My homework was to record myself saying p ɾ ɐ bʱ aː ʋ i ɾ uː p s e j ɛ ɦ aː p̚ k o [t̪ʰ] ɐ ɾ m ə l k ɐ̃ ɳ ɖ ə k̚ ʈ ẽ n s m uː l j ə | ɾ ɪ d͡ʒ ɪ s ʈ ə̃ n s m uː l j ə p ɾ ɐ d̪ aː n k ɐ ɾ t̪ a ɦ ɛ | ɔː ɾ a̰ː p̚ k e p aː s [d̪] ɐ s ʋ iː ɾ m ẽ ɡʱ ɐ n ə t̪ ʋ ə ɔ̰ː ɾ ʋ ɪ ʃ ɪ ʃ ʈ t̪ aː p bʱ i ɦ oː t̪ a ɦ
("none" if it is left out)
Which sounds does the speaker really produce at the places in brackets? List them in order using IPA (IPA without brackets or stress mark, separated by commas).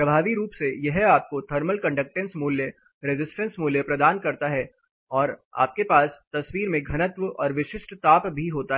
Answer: t̪ʰ, t̪